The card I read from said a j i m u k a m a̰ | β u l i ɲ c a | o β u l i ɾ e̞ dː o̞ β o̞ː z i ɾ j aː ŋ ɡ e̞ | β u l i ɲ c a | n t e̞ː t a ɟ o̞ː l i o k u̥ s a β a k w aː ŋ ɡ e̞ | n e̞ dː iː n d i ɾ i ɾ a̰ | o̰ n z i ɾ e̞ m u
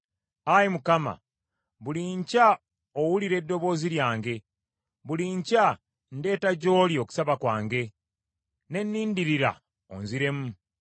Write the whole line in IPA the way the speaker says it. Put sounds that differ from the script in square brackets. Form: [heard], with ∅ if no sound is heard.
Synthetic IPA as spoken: a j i m u k a m a̰ | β u l i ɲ c a | o [w] u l i ɾ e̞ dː o̞ β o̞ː z i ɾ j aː ŋ ɡ e̞ | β u l i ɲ c a | n [d] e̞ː t a ɟ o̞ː l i o k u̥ s a β a k w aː ŋ ɡ e̞ | n e̞ [nː] iː n d i ɾ i ɾ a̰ | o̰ n z i ɾ e̞ m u

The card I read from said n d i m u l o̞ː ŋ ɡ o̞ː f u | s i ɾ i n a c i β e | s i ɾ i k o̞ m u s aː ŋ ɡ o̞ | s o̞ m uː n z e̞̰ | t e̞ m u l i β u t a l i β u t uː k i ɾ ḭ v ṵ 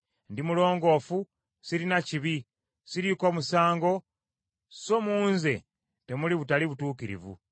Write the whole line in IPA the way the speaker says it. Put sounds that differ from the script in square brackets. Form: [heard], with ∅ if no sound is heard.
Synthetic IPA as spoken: n d i m u l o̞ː ŋ ɡ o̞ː f u | s i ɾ i n a c i β [i] | s i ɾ i k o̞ m u s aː ŋ ɡ o̞ | s o̞ m uː n z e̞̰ | t e̞ m u l i β u t a l i β u t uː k i ɾ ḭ v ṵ

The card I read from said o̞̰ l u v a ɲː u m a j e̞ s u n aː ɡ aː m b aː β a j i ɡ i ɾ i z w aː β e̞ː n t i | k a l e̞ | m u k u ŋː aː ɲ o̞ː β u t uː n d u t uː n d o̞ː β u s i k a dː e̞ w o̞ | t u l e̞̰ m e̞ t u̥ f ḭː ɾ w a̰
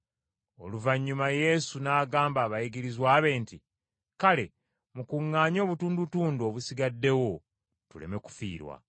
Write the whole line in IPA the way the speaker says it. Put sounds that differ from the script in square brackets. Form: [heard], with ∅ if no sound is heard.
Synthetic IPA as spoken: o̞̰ l u v a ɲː u m a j e̞ s u n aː ɡ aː m b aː β a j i ɡ i ɾ i z w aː β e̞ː n t i | k a l e̞ | m u k u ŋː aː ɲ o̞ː β u t uː n d u t uː n d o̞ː β u s i [ɡ] a dː e̞ w o̞ | t u l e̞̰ m e̞ [k] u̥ f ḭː ɾ w a̰

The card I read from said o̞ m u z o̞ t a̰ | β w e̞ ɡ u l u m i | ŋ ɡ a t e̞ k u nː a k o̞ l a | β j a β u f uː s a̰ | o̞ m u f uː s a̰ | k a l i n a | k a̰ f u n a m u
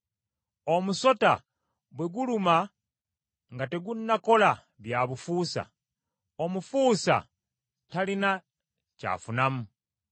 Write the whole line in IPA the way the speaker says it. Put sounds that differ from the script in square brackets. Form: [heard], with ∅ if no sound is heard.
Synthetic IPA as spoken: o̞ m u [s] o̞ t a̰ | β w e̞ ɡ u l u m [a] | ŋ ɡ a t e̞ [ɡ] u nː a k o̞ l a | β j a β u f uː s a̰ | o̞ m u f uː s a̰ | [t] a l i n a | [c] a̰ f u n a m u

